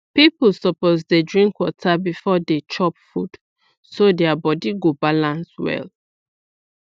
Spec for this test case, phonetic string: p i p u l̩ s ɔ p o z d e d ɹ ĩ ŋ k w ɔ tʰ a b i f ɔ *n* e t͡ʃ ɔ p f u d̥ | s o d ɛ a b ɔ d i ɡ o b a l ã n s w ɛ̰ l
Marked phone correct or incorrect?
incorrect